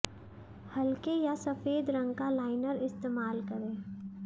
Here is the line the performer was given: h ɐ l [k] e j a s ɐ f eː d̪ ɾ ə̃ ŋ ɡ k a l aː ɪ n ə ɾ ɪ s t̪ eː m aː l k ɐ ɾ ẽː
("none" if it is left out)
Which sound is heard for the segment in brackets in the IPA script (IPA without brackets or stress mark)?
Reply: k